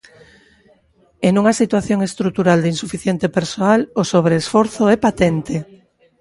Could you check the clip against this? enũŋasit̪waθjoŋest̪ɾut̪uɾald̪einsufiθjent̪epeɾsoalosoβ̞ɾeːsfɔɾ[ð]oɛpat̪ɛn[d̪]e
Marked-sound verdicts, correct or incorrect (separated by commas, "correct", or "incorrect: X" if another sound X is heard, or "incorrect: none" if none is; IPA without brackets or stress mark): incorrect: θ, incorrect: t̪